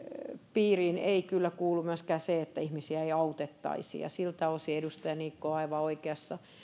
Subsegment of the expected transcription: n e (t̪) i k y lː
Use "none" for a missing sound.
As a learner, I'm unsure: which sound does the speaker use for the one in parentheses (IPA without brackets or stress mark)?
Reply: none